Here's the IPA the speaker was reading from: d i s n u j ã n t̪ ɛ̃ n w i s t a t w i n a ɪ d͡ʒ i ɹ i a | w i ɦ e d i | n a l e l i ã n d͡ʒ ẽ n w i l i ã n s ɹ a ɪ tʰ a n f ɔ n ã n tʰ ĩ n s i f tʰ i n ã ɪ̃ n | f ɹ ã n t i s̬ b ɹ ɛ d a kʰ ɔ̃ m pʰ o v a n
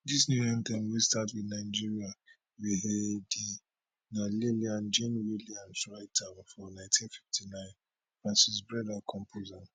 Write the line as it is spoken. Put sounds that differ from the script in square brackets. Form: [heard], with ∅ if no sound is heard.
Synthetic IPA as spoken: d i s n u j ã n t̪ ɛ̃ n w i s t a t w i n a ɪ d͡ʒ i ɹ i a | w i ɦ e d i | n a l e l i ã n d͡ʒ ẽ n w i l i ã n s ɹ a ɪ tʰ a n f ɔ n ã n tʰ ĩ n [f] i f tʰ i n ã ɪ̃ n | f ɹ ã n [s] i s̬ b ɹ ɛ d a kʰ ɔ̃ m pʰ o [z] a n